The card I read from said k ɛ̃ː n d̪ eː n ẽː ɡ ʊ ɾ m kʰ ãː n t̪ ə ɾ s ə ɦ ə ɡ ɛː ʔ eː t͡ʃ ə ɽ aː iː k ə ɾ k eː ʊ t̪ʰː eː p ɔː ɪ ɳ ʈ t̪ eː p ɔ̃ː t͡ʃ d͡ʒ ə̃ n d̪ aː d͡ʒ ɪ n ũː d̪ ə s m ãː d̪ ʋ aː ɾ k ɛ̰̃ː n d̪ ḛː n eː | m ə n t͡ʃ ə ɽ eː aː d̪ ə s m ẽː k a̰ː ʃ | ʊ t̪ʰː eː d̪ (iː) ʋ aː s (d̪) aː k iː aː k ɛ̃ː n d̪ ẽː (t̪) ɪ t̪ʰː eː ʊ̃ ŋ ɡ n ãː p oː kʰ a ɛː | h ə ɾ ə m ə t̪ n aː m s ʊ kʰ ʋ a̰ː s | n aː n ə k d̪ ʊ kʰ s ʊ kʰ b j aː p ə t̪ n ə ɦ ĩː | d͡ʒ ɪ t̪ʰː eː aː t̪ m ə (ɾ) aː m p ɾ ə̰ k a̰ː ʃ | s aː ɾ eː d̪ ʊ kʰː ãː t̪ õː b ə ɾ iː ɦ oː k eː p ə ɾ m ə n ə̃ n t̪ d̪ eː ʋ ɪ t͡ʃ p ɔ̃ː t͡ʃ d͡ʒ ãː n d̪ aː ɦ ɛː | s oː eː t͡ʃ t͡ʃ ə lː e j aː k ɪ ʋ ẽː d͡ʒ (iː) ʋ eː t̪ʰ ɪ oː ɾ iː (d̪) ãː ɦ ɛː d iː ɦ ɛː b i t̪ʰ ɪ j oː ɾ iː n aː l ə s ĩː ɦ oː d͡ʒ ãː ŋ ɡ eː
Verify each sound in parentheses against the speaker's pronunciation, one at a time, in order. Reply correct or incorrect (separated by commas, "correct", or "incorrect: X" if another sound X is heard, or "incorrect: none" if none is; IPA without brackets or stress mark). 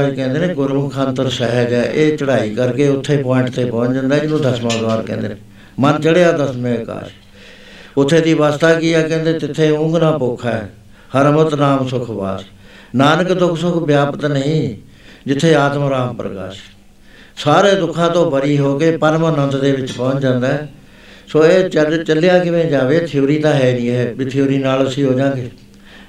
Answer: correct, incorrect: t̪, correct, correct, incorrect: aː, incorrect: t̪